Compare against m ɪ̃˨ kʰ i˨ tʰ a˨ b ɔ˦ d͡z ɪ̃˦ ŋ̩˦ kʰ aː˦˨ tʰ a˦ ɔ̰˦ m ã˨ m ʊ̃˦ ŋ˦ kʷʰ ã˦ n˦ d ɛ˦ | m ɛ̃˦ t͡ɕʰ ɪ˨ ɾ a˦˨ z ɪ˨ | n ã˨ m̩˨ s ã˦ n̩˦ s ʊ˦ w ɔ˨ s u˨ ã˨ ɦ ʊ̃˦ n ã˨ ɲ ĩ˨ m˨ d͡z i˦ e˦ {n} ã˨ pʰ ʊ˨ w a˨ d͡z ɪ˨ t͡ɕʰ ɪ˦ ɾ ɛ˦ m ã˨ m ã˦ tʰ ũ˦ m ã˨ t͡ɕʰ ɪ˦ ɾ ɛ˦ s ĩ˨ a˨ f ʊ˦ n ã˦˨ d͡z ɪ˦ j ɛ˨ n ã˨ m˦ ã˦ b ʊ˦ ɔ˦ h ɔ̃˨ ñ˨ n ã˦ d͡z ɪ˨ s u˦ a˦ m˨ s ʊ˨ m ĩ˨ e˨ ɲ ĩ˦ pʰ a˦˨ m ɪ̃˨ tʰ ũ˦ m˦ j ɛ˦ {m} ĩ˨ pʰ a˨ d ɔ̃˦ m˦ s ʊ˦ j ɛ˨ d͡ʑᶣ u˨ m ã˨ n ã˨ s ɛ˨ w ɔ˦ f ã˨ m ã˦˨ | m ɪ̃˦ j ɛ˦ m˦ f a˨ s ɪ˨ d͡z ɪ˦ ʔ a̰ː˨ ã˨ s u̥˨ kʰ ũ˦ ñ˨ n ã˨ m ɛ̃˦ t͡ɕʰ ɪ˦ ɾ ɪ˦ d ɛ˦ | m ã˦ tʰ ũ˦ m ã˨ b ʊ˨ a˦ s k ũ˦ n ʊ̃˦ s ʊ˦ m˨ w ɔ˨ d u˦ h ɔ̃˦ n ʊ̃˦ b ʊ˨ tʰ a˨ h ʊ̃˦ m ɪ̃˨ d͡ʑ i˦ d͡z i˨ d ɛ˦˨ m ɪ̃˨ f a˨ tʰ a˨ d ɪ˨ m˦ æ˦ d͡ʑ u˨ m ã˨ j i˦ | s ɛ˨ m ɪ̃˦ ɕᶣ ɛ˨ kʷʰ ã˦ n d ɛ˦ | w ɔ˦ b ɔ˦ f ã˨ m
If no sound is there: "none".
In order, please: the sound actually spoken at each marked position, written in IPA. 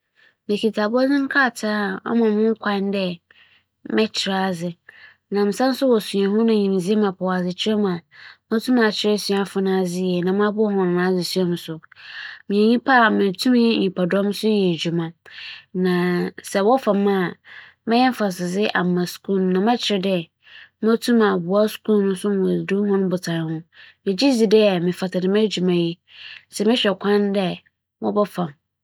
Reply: m, ɲ

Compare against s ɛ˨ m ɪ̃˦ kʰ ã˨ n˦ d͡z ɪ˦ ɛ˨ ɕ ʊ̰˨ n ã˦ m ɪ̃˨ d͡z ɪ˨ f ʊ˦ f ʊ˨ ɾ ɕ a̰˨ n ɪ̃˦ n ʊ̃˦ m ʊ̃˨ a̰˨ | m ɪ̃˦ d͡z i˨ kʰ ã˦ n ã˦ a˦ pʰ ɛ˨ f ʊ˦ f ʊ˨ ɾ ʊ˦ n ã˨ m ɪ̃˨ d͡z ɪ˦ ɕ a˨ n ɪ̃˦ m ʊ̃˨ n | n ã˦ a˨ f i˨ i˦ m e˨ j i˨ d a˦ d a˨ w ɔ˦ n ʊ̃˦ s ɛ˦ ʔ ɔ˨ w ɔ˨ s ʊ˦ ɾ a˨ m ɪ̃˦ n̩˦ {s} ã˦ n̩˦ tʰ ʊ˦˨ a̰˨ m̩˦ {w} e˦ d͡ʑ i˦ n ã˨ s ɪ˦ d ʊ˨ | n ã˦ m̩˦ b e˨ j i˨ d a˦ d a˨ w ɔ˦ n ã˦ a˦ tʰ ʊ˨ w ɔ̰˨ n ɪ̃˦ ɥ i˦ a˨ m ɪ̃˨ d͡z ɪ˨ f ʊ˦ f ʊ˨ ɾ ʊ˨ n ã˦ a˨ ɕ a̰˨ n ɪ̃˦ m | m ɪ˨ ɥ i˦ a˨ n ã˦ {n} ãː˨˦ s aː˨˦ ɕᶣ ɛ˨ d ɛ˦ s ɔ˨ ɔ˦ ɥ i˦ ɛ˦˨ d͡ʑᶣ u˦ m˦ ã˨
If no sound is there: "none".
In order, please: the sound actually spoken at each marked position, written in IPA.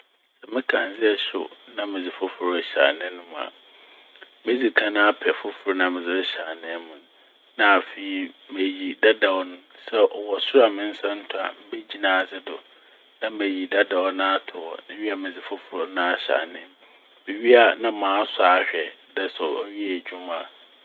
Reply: s, b, m

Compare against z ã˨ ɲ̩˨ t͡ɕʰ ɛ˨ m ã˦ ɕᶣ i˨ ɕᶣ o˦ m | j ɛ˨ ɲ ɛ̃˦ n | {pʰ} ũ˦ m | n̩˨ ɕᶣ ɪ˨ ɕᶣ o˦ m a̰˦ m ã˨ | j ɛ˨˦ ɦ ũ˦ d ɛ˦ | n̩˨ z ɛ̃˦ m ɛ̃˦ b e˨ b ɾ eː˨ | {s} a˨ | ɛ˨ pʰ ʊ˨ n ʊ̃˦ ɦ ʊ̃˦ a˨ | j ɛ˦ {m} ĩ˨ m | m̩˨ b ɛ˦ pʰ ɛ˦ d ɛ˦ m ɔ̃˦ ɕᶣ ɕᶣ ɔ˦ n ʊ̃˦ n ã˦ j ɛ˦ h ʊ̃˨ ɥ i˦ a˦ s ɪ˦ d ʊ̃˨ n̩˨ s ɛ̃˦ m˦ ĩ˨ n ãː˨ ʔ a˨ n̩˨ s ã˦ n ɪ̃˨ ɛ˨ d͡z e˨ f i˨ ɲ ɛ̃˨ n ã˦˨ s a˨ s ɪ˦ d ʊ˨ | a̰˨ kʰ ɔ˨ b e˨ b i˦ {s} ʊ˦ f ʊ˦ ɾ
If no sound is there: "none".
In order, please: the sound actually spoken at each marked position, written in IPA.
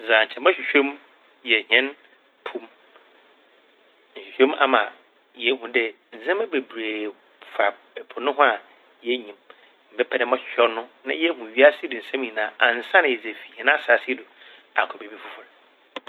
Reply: pʰ, f, ɲ, f

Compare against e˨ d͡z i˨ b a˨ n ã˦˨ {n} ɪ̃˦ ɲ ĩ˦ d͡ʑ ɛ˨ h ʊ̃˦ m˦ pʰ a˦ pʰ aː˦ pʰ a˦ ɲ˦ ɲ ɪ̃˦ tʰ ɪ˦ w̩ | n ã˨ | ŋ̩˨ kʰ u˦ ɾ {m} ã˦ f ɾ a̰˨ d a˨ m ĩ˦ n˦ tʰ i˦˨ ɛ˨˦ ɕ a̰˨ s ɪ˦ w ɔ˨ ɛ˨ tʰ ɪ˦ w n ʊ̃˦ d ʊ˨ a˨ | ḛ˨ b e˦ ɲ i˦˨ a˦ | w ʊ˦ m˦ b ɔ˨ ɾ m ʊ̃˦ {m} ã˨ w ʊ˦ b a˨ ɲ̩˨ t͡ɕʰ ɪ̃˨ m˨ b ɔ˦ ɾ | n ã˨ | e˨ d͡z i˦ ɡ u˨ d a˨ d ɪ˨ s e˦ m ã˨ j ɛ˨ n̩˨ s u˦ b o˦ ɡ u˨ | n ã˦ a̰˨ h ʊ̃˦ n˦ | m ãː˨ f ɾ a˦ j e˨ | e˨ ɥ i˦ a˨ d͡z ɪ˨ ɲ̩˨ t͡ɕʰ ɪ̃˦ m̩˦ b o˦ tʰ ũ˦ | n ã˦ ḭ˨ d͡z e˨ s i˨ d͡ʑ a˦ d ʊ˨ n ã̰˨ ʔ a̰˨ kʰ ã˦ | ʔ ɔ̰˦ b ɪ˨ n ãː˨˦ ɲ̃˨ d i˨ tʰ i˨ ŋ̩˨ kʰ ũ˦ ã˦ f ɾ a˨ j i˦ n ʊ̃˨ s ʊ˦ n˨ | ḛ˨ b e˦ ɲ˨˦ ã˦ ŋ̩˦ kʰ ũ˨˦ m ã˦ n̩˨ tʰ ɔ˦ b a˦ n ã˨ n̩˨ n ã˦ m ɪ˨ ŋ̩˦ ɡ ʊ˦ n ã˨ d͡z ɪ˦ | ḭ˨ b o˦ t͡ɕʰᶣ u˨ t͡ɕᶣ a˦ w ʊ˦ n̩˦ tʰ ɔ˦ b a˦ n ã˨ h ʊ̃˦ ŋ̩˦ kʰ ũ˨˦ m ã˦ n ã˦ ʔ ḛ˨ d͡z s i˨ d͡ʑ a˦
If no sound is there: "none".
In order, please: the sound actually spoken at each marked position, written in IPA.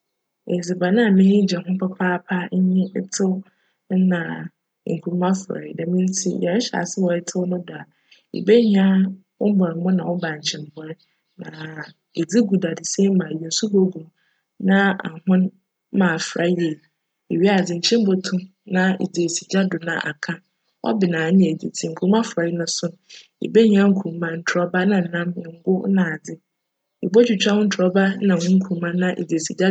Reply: m, m, n

